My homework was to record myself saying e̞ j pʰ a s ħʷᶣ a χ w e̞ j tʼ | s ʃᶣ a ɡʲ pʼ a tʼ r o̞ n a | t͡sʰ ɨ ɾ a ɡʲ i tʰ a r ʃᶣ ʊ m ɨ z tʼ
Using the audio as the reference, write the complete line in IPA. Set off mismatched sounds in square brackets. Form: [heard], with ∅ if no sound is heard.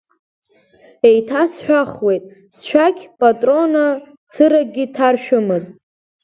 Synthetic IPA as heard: e̞ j [tʰ] a s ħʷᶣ a χ w e̞ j tʼ | s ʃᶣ a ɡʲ pʼ a tʼ r o̞ n a | t͡sʰ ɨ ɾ a ɡʲ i tʰ a r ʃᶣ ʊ m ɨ z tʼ